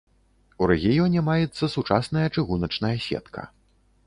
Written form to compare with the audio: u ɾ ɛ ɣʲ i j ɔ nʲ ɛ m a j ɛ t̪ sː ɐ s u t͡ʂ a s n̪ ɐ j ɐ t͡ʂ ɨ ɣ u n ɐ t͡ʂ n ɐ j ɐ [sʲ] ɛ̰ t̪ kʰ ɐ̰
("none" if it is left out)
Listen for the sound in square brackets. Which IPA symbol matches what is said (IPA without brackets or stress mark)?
sʲ